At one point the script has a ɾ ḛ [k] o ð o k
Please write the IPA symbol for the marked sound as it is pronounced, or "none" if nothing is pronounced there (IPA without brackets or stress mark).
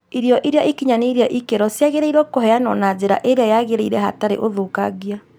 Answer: ʔ